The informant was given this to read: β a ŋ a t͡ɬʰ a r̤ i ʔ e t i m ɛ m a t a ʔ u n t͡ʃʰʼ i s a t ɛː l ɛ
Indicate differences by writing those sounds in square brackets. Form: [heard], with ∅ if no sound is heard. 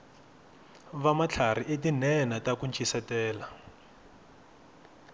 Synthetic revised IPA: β a [m] a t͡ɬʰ a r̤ i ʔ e t i [n] ɛ [n] a t a [k] u n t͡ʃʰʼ i s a t ɛː l [a]